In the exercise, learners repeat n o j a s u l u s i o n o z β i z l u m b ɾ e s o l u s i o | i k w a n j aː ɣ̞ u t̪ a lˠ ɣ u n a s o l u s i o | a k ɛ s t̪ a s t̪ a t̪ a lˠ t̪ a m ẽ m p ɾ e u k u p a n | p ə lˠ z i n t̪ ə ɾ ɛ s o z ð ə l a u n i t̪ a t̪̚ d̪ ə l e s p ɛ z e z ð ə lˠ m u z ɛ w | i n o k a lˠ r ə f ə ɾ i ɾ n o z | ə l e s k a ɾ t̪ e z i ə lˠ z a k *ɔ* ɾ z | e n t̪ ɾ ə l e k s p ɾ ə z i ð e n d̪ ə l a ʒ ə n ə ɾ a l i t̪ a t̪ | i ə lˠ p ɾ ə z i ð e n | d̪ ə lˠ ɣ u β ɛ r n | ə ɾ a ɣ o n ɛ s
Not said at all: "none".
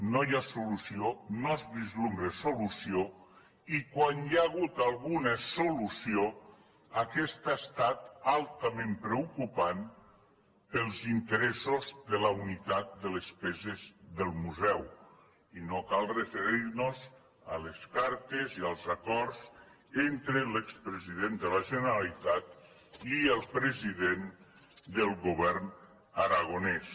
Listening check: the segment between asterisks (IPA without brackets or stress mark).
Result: ɔ